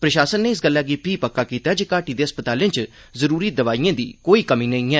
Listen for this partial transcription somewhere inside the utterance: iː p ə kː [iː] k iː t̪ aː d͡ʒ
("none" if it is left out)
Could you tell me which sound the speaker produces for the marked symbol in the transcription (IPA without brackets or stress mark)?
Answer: aː